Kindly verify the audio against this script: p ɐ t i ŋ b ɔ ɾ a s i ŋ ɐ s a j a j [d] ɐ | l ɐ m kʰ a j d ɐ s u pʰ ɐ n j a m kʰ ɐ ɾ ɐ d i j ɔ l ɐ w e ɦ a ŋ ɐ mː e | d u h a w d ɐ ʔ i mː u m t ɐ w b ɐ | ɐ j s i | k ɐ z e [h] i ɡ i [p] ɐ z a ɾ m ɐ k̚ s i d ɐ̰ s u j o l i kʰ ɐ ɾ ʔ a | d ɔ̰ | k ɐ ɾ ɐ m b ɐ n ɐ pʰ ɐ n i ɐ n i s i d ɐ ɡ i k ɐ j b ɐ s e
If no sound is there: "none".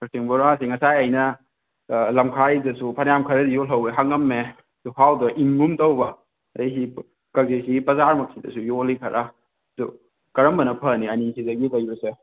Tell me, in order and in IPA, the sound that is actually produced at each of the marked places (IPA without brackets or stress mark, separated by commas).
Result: n, s, p